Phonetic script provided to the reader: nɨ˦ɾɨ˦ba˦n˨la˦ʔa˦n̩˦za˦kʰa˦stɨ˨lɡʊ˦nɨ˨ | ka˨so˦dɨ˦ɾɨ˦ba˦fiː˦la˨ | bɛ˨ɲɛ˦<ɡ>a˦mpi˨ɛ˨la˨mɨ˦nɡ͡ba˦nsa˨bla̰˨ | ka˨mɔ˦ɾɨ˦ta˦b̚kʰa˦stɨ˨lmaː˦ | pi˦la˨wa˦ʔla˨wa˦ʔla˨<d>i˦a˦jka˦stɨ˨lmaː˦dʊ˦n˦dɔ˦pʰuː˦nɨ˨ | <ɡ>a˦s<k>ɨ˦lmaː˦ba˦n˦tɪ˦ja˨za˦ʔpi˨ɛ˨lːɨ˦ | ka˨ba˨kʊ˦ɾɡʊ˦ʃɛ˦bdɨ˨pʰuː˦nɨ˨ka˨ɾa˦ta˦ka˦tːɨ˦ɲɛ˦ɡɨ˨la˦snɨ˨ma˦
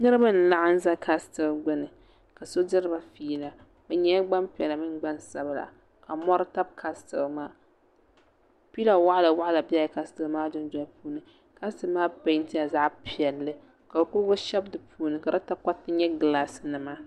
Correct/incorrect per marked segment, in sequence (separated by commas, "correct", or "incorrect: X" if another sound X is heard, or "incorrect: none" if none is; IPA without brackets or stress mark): incorrect: ɡ͡b, incorrect: b, incorrect: k, incorrect: t